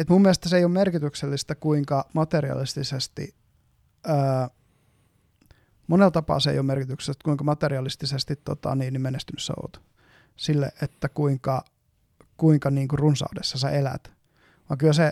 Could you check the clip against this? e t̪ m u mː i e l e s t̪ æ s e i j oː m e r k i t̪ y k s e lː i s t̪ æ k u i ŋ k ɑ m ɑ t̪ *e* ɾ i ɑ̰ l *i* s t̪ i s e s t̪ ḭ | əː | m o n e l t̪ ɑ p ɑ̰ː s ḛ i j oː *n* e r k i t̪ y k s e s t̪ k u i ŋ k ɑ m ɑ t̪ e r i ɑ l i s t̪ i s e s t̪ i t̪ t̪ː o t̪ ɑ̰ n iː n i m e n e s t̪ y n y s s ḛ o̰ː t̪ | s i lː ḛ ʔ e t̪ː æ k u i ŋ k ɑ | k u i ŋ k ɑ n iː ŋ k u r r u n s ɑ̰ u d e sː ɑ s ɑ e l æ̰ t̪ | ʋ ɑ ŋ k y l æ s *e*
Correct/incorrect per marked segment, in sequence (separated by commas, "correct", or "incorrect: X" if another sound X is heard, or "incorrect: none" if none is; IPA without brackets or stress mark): correct, correct, incorrect: m, correct